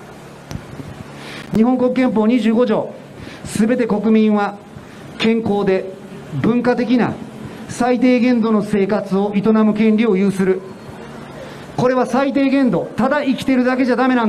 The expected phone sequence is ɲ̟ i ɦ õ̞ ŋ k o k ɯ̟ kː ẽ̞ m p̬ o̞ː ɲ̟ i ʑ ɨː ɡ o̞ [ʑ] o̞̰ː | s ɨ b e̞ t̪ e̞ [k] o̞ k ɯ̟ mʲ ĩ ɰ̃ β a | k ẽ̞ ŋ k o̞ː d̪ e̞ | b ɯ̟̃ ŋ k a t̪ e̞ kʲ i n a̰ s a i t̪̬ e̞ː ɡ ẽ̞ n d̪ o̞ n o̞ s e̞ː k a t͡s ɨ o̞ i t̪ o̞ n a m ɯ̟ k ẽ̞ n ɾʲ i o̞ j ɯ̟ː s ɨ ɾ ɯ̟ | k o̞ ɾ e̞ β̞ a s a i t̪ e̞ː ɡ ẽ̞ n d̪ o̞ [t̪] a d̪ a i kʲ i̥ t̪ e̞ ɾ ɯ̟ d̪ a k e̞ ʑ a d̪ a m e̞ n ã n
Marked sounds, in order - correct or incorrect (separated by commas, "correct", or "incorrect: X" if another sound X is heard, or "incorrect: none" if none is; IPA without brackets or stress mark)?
correct, correct, correct